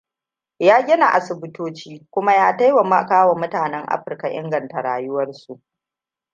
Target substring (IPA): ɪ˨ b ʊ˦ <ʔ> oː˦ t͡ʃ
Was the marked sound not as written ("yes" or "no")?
yes